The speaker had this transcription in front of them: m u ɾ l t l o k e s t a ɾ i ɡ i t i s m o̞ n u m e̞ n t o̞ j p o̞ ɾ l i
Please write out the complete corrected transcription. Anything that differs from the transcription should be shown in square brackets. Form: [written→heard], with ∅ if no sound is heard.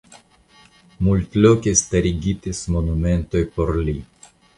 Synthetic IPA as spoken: m u [ɾ→∅] l t l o k e s t a ɾ i ɡ i t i s m o̞ n u m e̞ n t o̞ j p o̞ ɾ l i